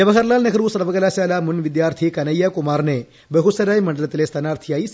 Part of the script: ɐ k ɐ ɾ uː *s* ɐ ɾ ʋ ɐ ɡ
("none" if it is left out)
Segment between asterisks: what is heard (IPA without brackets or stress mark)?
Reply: s